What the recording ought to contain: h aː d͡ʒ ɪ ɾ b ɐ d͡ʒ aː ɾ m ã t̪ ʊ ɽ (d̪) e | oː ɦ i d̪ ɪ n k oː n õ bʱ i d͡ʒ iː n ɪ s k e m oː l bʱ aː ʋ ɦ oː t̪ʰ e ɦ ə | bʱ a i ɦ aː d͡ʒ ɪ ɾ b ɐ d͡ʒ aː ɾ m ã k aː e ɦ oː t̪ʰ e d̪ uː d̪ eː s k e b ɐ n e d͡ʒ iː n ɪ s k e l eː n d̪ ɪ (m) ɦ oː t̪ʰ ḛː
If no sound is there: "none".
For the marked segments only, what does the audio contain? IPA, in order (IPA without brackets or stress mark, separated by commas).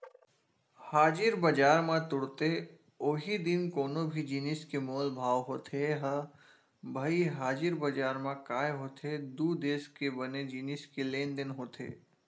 t̪, n